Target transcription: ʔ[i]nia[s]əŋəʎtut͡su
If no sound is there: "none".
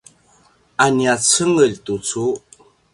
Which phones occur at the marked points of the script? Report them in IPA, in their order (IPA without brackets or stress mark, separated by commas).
a, t͡s